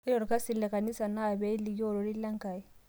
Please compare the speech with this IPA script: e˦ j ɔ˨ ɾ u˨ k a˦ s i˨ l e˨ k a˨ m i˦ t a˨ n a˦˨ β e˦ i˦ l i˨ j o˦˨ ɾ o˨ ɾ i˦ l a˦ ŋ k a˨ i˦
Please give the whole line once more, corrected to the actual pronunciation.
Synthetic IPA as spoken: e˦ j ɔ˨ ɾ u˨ k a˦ s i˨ l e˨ k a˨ n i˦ s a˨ n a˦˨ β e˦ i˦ l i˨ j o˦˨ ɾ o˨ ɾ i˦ l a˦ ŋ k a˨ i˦